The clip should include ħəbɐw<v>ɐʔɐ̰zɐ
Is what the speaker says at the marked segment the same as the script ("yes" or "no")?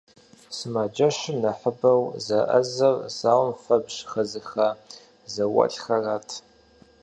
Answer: no